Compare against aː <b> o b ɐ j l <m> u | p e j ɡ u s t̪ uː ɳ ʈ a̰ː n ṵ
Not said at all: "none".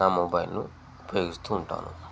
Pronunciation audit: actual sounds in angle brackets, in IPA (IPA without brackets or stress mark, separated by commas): m, n